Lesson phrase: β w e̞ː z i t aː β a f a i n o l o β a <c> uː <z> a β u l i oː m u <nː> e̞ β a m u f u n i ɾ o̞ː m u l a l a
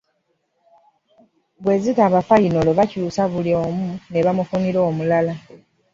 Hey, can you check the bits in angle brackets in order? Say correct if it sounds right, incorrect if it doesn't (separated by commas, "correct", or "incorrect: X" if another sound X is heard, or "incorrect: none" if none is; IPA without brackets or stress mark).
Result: correct, incorrect: s, incorrect: n